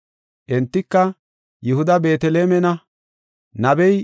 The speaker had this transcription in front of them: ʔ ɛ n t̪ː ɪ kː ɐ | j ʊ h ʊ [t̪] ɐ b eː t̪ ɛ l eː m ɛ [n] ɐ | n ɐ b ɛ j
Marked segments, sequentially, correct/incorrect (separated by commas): incorrect, correct